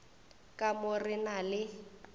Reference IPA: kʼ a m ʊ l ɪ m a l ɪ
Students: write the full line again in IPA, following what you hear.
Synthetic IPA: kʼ a m ʊ r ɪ n a l ɪ